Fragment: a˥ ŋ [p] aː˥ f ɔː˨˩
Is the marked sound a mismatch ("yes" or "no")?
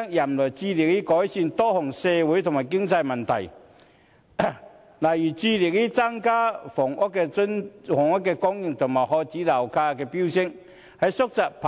yes